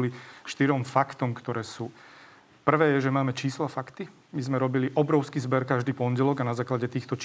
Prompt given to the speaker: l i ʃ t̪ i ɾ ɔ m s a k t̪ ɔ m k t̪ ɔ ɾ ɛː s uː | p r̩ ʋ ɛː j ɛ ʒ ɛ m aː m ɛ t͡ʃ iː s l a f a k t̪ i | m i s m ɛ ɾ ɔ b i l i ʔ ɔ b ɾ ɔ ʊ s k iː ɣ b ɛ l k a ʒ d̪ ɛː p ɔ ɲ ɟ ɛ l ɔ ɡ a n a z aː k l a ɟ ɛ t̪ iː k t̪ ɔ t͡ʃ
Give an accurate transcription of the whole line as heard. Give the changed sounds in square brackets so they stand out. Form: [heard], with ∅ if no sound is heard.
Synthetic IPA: l i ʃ t̪ i ɾ ɔ m [f] a k t̪ ɔ m k t̪ ɔ ɾ ɛː s uː | p r̩ ʋ ɛː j ɛ ʒ ɛ m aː m ɛ t͡ʃ iː s l a f a k t̪ i | m i [z] m ɛ ɾ ɔ b i l i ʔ ɔ b ɾ ɔ ʊ s k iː [z] b ɛ [ɾ] k a ʒ d̪ [iː] p ɔ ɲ ɟ ɛ l ɔ ɡ a n a z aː k l a ɟ ɛ t̪ iː [x] t̪ ɔ t͡ʃ